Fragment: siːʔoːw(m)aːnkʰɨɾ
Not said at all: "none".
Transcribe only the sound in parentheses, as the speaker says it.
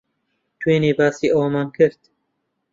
m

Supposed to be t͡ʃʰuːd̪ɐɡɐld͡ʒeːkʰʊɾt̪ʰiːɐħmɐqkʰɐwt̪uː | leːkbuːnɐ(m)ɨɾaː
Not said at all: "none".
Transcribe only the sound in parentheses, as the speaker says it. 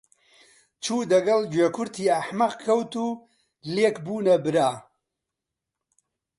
b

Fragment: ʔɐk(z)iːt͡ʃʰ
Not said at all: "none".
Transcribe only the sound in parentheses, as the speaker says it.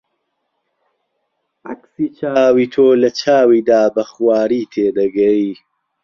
s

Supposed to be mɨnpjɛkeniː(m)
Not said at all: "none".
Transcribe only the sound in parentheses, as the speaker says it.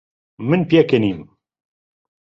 m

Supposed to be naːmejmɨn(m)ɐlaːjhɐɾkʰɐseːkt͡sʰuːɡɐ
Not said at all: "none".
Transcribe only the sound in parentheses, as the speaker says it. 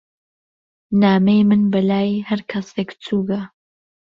b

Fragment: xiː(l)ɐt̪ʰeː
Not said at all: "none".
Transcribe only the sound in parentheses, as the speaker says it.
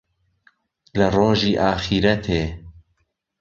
ɾ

